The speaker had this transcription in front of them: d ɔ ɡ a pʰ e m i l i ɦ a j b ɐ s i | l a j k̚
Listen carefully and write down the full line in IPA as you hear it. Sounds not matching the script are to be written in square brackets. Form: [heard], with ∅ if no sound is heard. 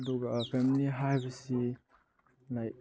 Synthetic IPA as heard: d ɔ ɡ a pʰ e m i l i ɦ a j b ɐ s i | l a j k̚